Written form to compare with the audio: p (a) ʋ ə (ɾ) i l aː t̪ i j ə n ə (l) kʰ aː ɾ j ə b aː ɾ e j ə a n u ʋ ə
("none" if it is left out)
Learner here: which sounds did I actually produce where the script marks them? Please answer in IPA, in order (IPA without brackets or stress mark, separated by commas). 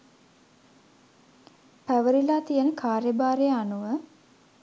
æ, ɾ, none